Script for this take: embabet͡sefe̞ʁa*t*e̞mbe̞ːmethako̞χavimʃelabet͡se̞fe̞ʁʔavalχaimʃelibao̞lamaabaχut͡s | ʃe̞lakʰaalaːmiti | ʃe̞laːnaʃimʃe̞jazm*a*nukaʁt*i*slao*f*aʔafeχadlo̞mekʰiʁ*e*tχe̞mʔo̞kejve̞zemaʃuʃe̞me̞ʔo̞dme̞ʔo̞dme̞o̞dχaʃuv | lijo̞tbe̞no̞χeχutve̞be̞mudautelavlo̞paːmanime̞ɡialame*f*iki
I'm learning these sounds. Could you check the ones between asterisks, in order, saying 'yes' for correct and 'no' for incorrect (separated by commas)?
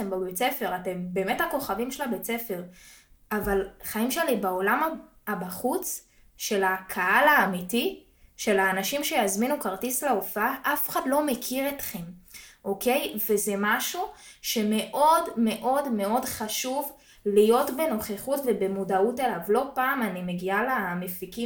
yes, no, yes, yes, yes, yes